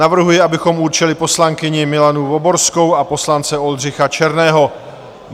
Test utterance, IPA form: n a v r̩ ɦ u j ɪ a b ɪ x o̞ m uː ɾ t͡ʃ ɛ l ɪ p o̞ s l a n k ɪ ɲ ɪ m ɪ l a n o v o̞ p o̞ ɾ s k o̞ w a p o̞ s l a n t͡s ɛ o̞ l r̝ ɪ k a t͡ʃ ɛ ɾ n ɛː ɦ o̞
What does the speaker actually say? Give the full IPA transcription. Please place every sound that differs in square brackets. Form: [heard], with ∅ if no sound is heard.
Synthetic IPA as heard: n a v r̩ ɦ u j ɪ a b ɪ x o̞ m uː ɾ t͡ʃ ɛ l ɪ p o̞ s l a [ŋ] k ɪ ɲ ɪ m ɪ l a n [u] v o̞ [b] o̞ ɾ s k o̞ w a p o̞ s l a n t͡s ɛ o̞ l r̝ ɪ [x] a t͡ʃ ɛ ɾ n ɛː ɦ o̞